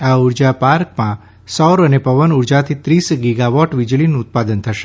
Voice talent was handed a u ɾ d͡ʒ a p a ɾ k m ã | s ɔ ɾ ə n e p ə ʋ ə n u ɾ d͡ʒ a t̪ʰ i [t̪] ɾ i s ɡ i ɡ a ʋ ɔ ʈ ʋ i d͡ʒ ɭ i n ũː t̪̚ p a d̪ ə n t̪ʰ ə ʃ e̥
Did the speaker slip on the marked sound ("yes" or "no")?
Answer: no